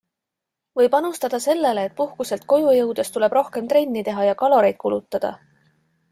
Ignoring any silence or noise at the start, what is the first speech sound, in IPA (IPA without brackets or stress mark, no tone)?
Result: v